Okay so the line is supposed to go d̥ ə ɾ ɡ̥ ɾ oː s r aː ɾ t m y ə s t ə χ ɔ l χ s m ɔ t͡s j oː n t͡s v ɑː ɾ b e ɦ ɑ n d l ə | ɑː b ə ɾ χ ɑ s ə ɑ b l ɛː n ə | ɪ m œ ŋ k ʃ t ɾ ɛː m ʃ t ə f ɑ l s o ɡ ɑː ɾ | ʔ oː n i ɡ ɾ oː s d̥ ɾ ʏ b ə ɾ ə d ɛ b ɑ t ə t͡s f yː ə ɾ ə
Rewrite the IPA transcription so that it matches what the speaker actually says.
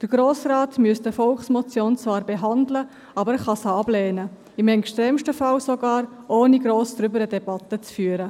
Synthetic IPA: d̥ ə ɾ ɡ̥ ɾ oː s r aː t m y ə s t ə f ɔ l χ s m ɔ t͡s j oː n t͡s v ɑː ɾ b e ɦ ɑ n d l ə | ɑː b ə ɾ χ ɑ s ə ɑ b l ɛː n ə | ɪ m ɛ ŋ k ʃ t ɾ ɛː m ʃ t ə f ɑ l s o ɡ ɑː ɾ | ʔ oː n i ɡ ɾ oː s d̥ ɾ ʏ b ə ɾ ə d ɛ b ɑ t ə t͡s f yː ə ɾ ə